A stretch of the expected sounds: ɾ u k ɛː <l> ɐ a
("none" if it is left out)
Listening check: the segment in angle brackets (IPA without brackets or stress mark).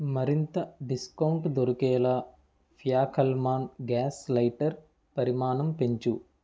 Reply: l